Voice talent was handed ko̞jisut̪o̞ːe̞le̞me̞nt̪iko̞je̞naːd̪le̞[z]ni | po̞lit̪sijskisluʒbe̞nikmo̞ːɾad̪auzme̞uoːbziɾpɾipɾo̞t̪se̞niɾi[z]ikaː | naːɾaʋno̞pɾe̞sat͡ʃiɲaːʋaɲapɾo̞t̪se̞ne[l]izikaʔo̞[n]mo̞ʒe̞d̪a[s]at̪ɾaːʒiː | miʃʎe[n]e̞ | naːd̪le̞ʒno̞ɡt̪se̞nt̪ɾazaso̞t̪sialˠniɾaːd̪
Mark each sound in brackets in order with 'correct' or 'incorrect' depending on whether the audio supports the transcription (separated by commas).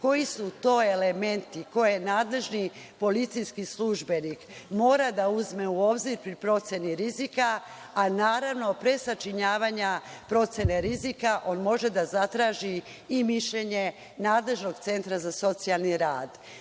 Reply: incorrect, correct, incorrect, correct, incorrect, incorrect